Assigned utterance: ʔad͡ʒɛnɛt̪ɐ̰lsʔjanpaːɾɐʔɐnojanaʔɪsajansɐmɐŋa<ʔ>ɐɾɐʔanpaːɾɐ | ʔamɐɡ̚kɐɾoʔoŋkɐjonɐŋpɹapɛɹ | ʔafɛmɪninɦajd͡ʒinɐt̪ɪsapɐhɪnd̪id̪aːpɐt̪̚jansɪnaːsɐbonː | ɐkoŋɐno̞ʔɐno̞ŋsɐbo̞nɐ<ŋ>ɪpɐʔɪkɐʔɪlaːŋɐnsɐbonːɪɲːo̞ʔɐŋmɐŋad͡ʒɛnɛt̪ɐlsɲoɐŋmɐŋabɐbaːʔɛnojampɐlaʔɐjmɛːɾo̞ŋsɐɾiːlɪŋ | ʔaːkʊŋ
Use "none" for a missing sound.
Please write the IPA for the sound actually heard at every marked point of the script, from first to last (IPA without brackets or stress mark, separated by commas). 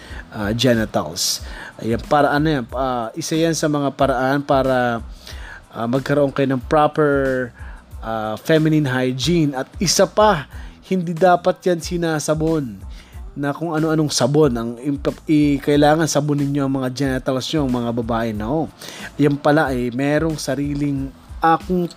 p, ŋ